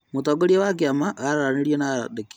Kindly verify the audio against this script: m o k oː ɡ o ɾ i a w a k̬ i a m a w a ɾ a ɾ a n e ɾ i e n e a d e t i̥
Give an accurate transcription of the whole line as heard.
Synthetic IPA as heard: m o t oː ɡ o ɾ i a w a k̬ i a m a ɣ a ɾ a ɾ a n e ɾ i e n a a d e k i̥